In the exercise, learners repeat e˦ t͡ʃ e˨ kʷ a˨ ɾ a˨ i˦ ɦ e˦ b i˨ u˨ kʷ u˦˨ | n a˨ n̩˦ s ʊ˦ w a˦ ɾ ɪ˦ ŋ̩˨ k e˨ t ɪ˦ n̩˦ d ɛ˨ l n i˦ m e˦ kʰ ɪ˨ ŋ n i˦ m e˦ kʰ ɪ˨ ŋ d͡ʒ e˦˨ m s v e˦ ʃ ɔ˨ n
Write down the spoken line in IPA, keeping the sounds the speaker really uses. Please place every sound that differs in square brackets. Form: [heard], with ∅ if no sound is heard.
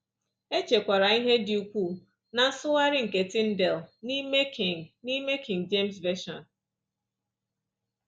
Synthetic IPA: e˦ t͡ʃ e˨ kʷ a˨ ɾ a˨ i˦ ɦ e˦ [d] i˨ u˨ kʷ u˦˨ | n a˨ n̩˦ s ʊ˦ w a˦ ɾ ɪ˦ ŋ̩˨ k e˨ t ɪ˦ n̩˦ d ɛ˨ l n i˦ m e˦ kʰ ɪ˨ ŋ n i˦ m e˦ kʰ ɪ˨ ŋ d͡ʒ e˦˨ m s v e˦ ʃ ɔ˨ n